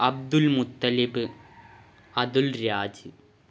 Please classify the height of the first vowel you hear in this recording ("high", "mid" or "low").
low